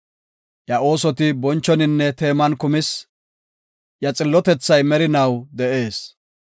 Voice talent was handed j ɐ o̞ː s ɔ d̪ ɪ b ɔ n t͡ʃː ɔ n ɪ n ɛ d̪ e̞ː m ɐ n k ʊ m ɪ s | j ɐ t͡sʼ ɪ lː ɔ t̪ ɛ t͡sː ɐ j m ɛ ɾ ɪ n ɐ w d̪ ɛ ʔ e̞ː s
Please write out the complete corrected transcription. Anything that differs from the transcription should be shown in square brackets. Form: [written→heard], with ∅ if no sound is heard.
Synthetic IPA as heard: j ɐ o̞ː s ɔ [d̪→t̪] ɪ b ɔ n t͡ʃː ɔ n ɪ [n→nː] ɛ [d̪→t̪] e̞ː m ɐ n k ʊ m ɪ s | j ɐ t͡sʼ ɪ lː ɔ t̪ ɛ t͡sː ɐ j m ɛ ɾ ɪ n ɐ w d̪ ɛ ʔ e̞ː s